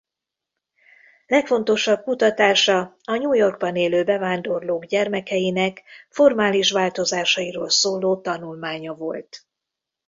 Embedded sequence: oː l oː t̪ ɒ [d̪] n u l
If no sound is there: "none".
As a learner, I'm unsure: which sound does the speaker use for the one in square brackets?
none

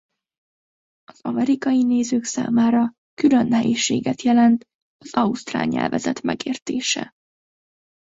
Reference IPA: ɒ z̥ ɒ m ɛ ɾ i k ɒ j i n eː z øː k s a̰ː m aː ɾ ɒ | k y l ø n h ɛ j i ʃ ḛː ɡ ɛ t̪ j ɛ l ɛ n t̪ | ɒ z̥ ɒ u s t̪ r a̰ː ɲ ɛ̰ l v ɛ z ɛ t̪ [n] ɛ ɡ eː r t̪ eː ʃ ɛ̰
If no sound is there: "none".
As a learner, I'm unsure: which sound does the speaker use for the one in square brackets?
m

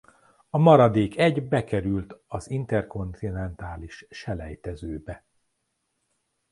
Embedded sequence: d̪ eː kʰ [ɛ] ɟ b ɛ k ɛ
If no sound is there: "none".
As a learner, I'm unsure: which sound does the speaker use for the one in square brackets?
ɛ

